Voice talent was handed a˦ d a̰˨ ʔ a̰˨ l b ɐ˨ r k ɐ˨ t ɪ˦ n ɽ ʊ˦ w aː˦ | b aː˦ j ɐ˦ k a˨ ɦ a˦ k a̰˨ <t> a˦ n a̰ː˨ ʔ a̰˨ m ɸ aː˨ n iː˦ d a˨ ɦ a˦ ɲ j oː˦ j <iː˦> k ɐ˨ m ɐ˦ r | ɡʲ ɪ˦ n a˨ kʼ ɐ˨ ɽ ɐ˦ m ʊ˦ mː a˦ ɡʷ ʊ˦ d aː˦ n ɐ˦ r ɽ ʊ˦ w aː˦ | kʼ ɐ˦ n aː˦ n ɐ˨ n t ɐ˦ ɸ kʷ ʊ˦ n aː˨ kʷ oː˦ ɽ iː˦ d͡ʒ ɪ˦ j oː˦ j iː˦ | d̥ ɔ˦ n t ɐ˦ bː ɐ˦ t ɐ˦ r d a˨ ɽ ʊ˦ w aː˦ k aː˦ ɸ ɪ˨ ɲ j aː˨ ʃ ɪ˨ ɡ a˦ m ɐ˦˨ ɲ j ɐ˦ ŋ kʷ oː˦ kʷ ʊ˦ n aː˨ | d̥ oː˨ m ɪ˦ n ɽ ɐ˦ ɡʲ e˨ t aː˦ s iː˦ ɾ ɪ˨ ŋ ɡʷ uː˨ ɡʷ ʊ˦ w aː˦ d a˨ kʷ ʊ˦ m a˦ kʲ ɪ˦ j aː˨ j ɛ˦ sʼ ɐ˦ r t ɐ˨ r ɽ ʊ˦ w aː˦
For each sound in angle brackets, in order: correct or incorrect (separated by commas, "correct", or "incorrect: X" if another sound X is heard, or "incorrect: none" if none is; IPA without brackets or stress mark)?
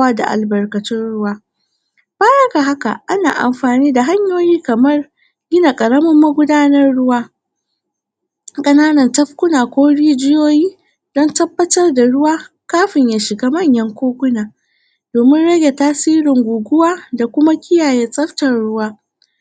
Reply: incorrect: ʔ, correct